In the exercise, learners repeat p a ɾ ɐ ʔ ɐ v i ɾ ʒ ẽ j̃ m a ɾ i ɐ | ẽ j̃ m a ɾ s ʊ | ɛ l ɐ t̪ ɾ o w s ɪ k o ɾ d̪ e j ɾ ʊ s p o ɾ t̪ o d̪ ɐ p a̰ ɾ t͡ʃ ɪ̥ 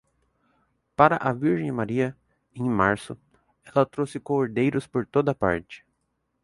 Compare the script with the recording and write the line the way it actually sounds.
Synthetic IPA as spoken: p a ɾ ɐ ʔ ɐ v i ɾ ʒ ẽ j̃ m a ɾ i ɐ | ẽ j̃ m a ɾ s ʊ | ɛ l ɐ t̪ ɾ o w s ɪ k o ɾ d̪ e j ɾ ʊ s p o ɾ t̪ o d̪ ɐ p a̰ ɾ t͡ʃ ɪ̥

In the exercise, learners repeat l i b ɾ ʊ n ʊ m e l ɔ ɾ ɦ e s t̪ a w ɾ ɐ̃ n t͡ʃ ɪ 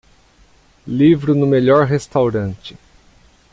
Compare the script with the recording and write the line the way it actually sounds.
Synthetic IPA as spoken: l i v ɾ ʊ n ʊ m e ʎ ɔ ɾ ɦ e s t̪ a w ɾ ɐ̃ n t͡ʃ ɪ

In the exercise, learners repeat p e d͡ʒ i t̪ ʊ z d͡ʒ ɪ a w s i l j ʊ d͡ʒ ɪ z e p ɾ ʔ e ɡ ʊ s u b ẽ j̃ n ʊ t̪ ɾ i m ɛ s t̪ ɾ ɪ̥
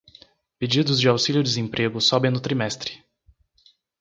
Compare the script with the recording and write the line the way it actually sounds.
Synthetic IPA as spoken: p e d͡ʒ i d̪ ʊ z d͡ʒ ɪ a w s i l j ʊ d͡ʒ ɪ z ẽ p ɾ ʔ e ɡ ʊ s ɔ b ẽ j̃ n ʊ t̪ ɾ i m ɛ s t̪ ɾ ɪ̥

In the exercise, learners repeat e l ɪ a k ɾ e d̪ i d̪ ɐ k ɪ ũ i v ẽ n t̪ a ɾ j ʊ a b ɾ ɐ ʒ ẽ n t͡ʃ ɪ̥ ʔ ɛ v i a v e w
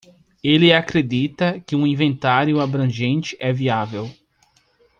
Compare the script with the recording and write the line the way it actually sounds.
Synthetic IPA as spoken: e l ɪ a k ɾ e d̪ i t̪ ɐ k ɪ ũ ĩ v ẽ n t̪ a ɾ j ʊ a b ɾ ɐ̃ ʒ ẽ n t͡ʃ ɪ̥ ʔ ɛ v i a v e w

